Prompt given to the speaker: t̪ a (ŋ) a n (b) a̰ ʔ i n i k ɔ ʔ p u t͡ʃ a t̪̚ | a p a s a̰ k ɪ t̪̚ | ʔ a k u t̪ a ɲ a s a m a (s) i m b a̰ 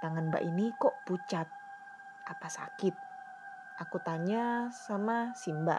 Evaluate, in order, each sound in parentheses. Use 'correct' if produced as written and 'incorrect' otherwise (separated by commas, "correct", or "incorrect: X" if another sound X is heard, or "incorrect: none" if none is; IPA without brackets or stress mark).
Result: correct, correct, correct